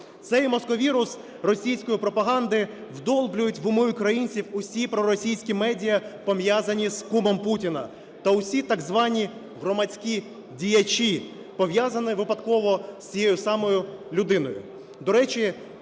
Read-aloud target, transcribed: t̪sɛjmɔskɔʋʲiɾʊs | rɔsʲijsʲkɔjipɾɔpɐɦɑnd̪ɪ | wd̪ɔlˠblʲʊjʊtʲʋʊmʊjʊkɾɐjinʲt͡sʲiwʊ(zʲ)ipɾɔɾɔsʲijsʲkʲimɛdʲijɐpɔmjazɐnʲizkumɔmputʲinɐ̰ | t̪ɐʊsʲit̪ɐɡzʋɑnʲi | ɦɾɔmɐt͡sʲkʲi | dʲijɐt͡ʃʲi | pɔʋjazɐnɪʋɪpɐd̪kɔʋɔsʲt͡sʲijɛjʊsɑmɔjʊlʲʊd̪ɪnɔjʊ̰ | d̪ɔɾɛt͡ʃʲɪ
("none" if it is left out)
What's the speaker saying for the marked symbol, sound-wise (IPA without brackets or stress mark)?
sʲ